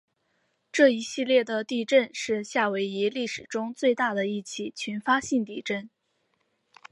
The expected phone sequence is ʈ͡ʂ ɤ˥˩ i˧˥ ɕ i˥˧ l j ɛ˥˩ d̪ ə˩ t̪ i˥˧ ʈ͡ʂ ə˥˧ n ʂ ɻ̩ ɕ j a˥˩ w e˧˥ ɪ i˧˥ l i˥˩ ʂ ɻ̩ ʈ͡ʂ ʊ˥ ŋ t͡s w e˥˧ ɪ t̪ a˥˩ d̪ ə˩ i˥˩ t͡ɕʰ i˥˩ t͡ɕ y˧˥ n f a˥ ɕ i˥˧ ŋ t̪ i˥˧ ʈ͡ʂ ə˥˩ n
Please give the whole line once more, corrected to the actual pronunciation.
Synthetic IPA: ʈ͡ʂ ɤ˥˩ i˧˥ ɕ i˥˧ l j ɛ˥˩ d̪ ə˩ t̪ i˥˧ ʈ͡ʂ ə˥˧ n ʂ ɻ̩ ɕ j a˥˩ w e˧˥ ɪ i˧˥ l i˥˩ ʂ ɻ̩ ʈ͡ʂ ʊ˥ ŋ t͡s w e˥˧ ɪ t̪ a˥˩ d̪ ə˩ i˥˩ t͡ɕʰ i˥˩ t͡ɕʰ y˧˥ n f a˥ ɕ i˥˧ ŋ t̪ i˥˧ ʈ͡ʂ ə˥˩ n